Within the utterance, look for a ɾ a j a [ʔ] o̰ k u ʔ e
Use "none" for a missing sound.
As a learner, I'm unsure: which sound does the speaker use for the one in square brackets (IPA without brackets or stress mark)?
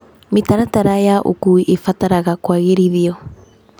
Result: ʔ